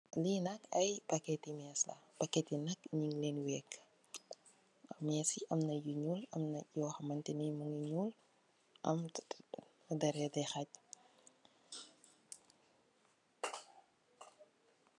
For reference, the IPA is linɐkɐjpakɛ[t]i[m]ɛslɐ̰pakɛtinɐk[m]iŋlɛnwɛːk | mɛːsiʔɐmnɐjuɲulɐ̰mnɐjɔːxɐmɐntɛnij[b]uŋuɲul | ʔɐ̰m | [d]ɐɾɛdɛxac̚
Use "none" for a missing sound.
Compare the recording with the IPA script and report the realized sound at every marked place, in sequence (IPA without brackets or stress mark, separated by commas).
t, m, ɲ, m, d